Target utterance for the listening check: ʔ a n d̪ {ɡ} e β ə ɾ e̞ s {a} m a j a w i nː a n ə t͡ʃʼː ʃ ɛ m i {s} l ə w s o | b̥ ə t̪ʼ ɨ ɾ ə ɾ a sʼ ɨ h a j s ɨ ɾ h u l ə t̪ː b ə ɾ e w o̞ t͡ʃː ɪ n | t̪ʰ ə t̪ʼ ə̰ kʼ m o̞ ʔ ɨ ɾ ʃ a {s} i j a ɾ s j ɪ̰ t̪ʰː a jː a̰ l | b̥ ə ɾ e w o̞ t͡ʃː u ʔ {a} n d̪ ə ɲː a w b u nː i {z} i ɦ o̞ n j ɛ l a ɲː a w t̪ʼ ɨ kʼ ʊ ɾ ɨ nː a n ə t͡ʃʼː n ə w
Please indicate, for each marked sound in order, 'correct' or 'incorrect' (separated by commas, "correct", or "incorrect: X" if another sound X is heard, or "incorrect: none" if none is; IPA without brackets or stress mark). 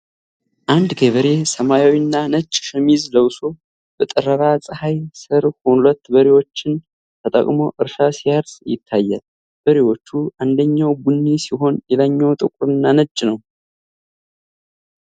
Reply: correct, incorrect: ə, incorrect: z, correct, correct, incorrect: s